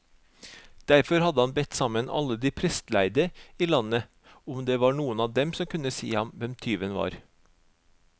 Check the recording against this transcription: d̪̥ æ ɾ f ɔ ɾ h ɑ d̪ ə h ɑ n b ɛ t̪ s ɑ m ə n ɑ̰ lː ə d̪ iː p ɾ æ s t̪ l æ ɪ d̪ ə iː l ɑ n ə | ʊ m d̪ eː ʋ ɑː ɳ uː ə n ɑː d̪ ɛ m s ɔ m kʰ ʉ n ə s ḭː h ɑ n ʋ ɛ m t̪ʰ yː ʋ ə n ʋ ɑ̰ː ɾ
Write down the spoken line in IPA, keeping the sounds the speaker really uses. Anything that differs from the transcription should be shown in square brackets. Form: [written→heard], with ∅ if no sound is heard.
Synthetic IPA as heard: d̪̥ æ ɾ f ɔ ɾ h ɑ d̪ ə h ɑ n b ɛ t̪ s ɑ m ə n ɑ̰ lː ə d̪ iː [p→pʰ] ɾ [æ→ɛ] s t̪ l æ ɪ d̪ ə iː l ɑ n ə | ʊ m d̪ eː ʋ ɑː ɳ uː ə n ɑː d̪ ɛ m s ɔ m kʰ ʉ n ə s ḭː h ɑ [n→m] ʋ ɛ m t̪ʰ yː ʋ ə n ʋ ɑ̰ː ɾ